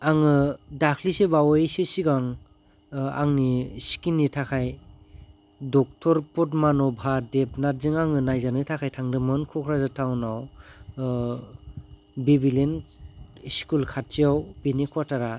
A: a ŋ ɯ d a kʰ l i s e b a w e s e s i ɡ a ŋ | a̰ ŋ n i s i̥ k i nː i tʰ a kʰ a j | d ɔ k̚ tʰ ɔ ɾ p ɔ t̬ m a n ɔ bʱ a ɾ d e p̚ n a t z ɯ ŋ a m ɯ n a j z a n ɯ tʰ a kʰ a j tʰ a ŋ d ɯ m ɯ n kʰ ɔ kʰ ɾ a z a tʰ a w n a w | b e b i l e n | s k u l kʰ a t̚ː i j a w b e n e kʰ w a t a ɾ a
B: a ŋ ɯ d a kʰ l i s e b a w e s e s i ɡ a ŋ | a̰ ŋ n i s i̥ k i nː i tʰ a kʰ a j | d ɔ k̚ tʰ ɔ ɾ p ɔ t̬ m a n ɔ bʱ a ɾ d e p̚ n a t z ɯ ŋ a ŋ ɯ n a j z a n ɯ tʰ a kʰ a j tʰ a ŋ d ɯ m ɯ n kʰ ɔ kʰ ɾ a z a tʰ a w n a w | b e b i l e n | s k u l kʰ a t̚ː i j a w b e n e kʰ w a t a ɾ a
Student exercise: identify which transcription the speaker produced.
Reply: B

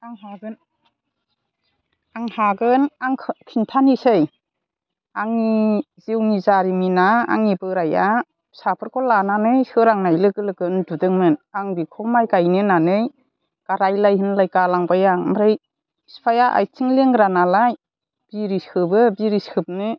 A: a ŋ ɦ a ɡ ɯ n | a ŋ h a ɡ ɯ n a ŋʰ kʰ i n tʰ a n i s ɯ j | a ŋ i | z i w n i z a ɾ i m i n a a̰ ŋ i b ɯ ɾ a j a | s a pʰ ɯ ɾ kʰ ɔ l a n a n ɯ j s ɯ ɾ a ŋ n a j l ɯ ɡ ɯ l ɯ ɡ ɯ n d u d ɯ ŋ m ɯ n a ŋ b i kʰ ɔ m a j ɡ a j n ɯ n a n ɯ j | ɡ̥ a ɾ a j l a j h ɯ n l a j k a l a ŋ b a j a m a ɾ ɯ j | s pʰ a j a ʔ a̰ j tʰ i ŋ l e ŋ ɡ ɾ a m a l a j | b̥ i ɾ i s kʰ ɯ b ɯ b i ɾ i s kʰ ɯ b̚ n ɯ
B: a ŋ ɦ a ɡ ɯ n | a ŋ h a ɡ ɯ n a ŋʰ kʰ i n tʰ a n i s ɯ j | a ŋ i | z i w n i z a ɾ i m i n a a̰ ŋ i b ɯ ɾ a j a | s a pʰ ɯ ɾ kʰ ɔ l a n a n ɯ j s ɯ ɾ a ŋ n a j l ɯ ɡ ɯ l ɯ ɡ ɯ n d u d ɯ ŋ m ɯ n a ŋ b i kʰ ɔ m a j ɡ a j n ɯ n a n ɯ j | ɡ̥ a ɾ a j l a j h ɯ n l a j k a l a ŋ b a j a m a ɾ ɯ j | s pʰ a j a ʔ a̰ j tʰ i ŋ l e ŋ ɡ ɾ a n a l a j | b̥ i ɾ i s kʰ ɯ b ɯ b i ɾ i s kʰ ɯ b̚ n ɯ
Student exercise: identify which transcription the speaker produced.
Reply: B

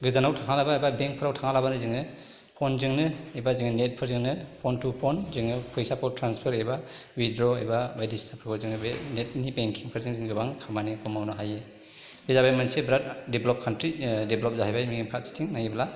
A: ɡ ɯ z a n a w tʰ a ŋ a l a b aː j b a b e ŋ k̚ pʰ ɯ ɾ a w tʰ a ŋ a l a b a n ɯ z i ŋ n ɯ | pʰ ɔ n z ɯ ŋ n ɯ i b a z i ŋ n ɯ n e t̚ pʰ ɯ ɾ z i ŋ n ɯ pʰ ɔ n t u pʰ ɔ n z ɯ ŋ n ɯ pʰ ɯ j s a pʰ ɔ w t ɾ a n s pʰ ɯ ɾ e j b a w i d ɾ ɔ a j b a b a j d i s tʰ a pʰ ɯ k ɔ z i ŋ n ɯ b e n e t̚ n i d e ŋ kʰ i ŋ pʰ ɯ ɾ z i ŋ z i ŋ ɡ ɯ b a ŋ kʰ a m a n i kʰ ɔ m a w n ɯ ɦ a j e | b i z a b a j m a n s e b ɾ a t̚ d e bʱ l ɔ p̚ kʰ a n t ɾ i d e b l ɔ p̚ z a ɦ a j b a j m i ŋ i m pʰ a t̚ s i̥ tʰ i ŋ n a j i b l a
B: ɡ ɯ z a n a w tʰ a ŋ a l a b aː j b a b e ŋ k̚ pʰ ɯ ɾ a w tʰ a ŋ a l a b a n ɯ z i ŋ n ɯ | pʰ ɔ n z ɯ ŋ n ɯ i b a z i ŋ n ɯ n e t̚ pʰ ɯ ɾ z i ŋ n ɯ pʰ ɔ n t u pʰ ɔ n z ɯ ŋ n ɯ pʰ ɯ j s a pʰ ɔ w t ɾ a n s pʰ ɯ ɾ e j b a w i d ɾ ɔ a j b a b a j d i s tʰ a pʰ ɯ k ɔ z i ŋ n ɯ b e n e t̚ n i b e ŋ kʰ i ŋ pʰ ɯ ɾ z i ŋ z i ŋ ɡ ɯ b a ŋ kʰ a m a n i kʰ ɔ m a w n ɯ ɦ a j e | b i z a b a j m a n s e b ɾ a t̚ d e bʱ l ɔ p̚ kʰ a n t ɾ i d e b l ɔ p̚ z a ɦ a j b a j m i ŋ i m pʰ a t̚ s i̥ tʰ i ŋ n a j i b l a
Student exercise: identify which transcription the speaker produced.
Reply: B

